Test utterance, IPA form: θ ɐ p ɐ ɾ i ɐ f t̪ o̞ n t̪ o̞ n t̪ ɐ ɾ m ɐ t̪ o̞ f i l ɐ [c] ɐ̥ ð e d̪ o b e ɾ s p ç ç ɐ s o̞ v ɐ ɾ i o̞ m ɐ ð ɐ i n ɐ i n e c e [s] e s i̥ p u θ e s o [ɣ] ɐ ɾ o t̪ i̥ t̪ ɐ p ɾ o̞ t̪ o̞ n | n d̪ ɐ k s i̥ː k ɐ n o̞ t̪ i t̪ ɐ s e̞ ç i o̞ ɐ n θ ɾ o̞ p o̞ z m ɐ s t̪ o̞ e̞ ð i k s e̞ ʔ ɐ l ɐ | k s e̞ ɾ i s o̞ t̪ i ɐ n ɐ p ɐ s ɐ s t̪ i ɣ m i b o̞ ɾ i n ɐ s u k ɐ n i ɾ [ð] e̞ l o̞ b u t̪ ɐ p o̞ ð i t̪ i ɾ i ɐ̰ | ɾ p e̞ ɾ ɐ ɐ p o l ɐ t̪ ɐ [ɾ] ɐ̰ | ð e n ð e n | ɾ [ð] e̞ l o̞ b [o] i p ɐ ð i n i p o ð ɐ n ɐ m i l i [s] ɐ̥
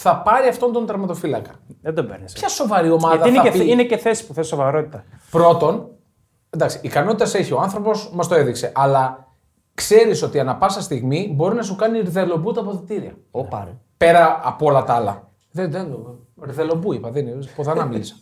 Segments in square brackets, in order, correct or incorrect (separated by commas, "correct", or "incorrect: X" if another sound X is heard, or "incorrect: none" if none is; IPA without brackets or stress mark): incorrect: k, incorrect: θ, incorrect: v, correct, incorrect: l, correct, incorrect: u, correct